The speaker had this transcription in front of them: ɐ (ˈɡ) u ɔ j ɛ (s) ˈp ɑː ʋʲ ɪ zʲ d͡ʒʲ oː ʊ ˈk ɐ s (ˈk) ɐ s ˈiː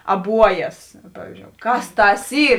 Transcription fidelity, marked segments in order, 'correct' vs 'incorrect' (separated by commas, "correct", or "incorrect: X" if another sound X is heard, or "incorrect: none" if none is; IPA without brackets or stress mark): incorrect: b, correct, incorrect: t